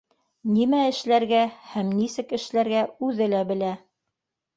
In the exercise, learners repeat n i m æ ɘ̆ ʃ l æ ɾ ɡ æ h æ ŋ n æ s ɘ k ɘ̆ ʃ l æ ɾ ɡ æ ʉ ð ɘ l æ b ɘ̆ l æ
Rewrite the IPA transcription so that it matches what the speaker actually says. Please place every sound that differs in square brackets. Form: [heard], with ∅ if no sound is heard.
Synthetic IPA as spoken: n i m æ ɘ̆ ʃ l æ ɾ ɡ æ h æ [m] n [i] s ɘ k ɘ̆ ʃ l æ ɾ ɡ æ ʉ ð ɘ l æ b ɘ̆ l æ

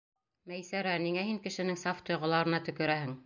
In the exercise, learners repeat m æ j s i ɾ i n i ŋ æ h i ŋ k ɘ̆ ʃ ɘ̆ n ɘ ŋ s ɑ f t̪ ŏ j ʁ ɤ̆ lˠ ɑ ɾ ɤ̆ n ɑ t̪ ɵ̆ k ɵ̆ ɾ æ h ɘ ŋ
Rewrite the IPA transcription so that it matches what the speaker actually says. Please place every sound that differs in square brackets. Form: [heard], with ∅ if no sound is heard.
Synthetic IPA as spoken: m æ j s [æ] ɾ [æ] n i ŋ æ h i ŋ k ɘ̆ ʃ ɘ̆ n ɘ ŋ s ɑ f t̪ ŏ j ʁ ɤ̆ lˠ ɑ ɾ ɤ̆ n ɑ t̪ ɵ̆ k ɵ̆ ɾ æ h ɘ ŋ

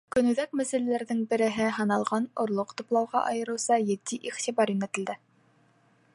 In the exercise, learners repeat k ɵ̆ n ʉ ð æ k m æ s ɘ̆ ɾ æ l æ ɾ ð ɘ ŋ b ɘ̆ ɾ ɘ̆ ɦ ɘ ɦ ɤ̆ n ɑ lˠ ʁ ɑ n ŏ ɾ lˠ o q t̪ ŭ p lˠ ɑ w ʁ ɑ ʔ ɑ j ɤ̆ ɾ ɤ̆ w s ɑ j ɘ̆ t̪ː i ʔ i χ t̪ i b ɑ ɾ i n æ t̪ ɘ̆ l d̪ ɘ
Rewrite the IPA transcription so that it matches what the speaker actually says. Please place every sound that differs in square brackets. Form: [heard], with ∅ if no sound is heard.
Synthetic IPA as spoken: k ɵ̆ n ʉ ð æ k m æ s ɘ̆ [l] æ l æ ɾ ð ɘ ŋ b ɘ̆ ɾ ɘ̆ ɦ ɘ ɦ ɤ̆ n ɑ lˠ ʁ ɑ n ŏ ɾ lˠ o q t̪ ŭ p lˠ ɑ w ʁ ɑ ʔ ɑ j ɤ̆ ɾ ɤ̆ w s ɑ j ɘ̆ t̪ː i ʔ i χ t̪ i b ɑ ɾ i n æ t̪ ɘ̆ l d̪ ɘ

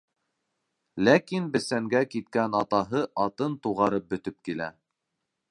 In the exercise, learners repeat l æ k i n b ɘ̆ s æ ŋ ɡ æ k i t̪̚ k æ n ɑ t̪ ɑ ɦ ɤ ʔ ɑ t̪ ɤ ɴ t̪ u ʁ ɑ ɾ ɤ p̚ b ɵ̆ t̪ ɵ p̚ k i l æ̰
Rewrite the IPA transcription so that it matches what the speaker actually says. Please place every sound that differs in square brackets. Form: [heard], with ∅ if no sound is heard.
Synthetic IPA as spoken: l æ k i n b ɘ̆ s æ ŋ ɡ æ k i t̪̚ k æ n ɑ t̪ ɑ ɦ ɤ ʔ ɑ t̪ ɤ [n] t̪ u ʁ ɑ ɾ ɤ p̚ b ɵ̆ t̪ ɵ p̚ k i l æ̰

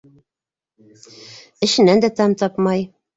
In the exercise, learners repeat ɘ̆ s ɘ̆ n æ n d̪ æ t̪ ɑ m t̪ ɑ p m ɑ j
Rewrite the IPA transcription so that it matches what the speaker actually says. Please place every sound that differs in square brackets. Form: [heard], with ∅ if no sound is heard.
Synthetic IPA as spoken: ɘ̆ [ʃ] ɘ̆ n æ n d̪ æ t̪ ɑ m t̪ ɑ p m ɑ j

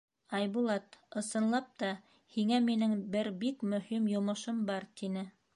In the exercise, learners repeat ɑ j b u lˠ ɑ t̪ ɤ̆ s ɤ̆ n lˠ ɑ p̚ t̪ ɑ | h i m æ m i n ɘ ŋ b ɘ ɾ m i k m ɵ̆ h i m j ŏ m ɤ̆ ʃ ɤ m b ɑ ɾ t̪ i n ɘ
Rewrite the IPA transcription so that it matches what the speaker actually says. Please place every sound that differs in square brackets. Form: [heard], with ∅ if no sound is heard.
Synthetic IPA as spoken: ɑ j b u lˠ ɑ t̪ ɤ̆ s ɤ̆ n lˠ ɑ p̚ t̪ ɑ | h i [ŋ] æ m i n ɘ ŋ b ɘ ɾ [b] i k m ɵ̆ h i m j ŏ m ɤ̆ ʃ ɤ m b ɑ ɾ t̪ i n ɘ

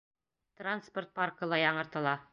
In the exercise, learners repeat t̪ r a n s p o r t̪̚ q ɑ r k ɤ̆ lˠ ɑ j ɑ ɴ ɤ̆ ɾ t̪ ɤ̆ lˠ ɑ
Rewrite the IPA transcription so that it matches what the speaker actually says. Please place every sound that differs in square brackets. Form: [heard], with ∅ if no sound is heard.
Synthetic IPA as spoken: t̪ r a n s p o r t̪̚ [p] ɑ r k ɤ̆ lˠ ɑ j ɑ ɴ ɤ̆ ɾ t̪ ɤ̆ lˠ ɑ

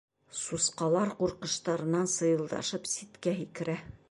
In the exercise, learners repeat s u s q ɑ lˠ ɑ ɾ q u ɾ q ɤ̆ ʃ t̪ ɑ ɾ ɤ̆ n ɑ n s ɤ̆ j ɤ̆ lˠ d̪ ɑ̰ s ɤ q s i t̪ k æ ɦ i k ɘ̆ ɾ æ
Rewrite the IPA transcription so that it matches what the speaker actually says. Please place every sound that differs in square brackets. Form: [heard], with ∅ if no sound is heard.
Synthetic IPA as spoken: s u s q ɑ lˠ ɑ ɾ q u ɾ q ɤ̆ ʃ t̪ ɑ ɾ ɤ̆ n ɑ n s ɤ̆ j ɤ̆ lˠ d̪ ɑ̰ [ʃ] ɤ [p] s i t̪ k æ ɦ i k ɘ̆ ɾ æ

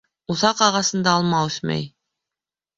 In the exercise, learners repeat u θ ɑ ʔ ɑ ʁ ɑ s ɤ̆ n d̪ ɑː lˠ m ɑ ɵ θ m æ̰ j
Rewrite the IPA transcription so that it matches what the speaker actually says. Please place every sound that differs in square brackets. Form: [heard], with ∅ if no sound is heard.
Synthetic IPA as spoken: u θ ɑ [q] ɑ ʁ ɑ s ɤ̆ n d̪ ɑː lˠ m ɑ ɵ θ m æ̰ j

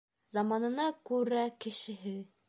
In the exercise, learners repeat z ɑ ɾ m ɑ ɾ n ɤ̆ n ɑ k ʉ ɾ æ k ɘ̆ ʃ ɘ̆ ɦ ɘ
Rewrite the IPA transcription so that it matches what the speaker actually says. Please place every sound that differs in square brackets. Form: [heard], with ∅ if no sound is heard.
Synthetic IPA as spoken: z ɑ [∅] m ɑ [∅] n ɤ̆ n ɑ k ʉ ɾ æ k ɘ̆ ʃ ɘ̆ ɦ ɘ

